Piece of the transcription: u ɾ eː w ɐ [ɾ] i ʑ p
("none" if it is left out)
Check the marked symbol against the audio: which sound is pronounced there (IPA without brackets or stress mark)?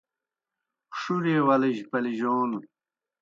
l